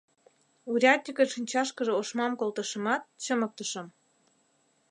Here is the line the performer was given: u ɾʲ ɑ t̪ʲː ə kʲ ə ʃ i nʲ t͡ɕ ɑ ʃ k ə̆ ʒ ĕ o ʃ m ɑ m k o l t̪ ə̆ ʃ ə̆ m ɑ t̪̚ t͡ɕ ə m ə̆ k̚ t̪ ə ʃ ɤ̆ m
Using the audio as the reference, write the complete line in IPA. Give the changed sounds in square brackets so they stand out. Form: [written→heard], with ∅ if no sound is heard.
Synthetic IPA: u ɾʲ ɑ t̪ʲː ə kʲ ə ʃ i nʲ t͡ɕ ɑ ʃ k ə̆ ʒ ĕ o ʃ m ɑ m k o l t̪ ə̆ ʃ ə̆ m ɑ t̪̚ t͡ɕ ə m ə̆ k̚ t̪ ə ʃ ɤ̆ m